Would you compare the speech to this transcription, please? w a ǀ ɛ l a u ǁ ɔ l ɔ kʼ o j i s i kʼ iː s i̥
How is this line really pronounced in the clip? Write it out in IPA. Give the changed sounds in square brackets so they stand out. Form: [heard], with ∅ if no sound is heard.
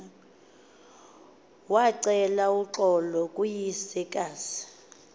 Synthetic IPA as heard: w a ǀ ɛ l a u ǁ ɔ l ɔ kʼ [u] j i s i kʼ [aː] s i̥